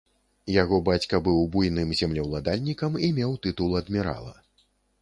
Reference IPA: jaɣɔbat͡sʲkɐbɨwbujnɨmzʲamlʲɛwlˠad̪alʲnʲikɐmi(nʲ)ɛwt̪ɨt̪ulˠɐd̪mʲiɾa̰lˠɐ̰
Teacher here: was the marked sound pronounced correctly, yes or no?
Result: no